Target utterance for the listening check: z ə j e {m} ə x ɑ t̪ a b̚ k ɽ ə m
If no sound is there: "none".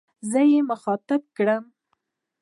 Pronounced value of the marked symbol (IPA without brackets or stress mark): m